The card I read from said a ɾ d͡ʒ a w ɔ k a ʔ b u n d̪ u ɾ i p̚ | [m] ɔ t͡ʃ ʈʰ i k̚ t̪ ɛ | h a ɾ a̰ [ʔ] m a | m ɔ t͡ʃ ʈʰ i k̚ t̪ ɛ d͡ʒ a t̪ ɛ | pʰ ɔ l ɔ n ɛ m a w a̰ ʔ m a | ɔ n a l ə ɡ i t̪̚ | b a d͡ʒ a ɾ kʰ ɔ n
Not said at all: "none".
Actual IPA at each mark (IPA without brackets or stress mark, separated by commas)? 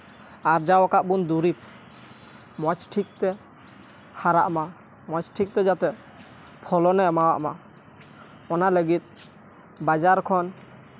m, ʔ